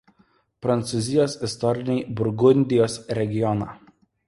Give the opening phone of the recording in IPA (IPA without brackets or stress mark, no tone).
p